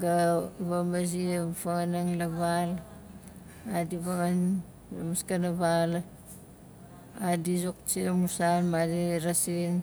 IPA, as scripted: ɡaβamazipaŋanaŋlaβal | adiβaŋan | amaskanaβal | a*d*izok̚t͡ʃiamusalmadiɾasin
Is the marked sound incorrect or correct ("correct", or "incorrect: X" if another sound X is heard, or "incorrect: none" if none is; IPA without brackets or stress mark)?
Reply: correct